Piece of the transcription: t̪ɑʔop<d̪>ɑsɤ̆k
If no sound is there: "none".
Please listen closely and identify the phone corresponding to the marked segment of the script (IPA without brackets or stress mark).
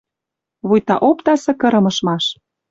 t̪